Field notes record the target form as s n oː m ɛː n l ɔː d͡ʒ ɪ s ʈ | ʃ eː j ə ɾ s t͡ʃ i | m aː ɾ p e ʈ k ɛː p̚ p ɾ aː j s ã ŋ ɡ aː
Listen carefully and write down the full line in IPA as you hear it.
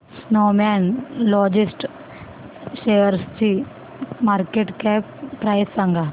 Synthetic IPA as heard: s n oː m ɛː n l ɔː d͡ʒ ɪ s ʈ | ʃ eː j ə ɾ s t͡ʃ i | m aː ɾ k e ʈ k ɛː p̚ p ɾ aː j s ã ŋ ɡ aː